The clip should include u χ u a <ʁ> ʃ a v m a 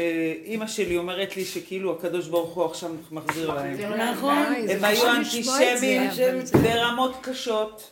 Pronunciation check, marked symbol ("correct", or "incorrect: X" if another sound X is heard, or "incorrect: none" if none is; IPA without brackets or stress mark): incorrect: χ